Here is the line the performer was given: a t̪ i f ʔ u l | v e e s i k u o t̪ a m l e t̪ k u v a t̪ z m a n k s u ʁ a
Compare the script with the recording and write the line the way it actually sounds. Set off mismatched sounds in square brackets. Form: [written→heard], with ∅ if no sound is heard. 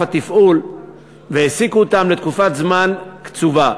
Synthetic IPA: a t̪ i f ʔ u l | v e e s i k u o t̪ a m l e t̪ k u [v→f] a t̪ z m a n k [s→t͡s] u [ʁ→v] a